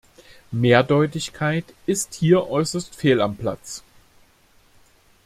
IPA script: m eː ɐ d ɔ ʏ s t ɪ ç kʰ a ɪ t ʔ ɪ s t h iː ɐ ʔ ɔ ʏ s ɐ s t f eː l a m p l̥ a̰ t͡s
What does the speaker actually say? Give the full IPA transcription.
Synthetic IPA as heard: m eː ɐ d ɔ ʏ t ɪ ç kʰ a ɪ t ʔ ɪ s t h iː ɐ ʔ ɔ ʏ s ɐ s t f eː l a m p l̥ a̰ t͡s